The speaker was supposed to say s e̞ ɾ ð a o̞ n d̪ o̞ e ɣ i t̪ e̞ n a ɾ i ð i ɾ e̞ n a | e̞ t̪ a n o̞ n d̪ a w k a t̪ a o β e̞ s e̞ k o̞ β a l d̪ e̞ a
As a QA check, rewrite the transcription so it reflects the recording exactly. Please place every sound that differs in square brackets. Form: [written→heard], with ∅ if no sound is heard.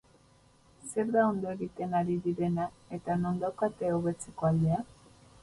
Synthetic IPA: s e̞ ɾ ð a o̞ n d̪ o̞ e ɣ i t̪ e̞ n a ɾ i ð i ɾ e̞ n a | e̞ t̪ a n o̞ n d̪ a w k a t̪ [a→e] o β e̞ [s→t͡s] e̞ k o̞ [β→∅] a l d̪ e̞ a